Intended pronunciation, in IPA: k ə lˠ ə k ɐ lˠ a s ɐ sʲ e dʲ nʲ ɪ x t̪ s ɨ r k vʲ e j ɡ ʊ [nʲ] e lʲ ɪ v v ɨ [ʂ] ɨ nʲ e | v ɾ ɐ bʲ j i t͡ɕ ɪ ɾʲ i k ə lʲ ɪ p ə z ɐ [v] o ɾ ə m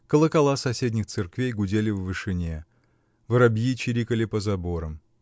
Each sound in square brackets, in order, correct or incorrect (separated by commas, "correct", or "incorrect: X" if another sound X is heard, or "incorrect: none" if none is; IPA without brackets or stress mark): incorrect: dʲ, correct, incorrect: b